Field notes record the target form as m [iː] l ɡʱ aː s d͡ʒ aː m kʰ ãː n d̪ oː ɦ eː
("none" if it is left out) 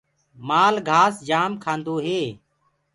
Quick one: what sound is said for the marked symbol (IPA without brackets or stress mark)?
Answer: aː